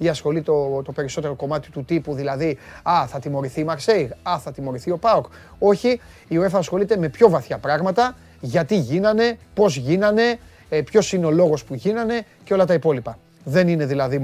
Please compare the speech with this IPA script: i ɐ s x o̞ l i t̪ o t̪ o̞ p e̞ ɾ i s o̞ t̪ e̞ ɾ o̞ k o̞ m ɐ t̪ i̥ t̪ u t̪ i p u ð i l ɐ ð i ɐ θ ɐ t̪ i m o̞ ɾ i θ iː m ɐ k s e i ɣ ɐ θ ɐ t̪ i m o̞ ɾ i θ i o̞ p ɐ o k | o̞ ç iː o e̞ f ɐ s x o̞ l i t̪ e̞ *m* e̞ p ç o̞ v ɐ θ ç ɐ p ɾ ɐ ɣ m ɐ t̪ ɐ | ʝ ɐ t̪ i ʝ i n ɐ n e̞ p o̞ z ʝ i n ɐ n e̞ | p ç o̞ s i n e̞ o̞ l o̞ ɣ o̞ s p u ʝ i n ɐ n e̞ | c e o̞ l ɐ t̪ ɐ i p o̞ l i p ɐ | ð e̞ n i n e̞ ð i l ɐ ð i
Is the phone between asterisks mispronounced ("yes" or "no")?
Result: no